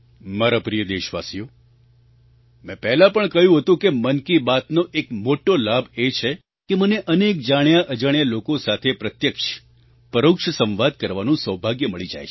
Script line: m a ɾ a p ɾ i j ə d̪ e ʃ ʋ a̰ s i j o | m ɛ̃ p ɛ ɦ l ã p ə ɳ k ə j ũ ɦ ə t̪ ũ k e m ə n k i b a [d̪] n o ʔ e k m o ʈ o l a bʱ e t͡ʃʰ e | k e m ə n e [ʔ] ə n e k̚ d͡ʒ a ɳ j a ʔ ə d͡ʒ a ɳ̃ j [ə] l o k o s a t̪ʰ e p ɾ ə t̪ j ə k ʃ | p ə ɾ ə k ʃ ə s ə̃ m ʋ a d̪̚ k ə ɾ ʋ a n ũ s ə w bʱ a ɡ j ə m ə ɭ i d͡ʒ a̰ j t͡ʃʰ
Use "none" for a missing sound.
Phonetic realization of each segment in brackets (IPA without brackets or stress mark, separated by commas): t̪, ʔ, a